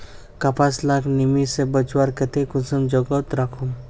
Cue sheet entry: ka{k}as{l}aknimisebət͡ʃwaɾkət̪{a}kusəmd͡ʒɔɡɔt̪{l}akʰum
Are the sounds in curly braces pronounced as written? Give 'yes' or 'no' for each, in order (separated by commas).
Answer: no, yes, no, no